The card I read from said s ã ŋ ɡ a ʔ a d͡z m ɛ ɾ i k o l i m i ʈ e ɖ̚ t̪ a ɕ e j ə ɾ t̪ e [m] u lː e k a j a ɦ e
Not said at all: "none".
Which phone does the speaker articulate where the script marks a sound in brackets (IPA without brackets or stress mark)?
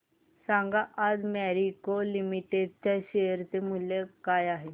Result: m